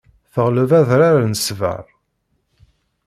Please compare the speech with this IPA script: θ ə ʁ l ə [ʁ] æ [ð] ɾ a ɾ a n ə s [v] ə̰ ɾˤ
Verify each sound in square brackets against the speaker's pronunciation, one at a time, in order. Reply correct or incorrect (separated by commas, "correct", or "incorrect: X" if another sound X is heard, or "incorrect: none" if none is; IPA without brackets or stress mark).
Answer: incorrect: v, correct, correct